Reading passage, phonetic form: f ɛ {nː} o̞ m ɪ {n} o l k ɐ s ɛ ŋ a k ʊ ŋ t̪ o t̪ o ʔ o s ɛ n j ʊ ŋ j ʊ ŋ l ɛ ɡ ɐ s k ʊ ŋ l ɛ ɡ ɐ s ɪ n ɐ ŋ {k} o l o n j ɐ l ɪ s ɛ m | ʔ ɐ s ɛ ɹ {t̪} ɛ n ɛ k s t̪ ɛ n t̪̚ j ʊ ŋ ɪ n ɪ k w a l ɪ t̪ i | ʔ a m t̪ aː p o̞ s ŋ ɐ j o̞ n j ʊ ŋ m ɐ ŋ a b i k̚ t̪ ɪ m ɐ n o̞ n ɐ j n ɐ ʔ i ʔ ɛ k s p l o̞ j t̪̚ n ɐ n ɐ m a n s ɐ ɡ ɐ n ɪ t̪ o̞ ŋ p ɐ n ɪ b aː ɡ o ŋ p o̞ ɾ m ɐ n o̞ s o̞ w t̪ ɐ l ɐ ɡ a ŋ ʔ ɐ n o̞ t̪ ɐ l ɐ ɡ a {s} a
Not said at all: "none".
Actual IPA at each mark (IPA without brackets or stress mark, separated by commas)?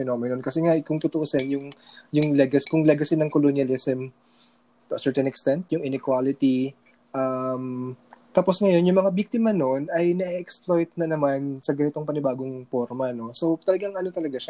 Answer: n, n, k, t̪, ʃ